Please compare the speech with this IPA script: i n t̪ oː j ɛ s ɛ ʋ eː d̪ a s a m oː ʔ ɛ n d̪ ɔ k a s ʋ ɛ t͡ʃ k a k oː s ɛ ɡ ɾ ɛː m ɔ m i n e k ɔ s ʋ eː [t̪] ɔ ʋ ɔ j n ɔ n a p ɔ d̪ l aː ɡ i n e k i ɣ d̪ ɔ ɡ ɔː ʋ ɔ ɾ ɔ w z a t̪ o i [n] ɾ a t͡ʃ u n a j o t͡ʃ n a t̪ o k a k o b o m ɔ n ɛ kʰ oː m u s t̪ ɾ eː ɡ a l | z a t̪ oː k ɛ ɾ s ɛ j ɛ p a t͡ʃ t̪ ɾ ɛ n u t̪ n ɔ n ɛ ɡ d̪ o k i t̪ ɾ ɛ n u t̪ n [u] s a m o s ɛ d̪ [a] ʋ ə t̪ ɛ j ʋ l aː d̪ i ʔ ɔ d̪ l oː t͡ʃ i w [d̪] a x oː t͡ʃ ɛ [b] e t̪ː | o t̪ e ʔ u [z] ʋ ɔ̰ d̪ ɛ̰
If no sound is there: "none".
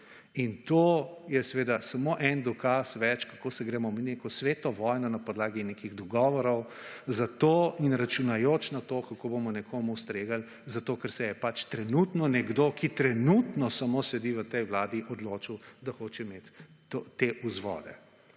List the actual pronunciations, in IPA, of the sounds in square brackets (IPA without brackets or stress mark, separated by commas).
t̪, n, ɔ, i, d̪, m, z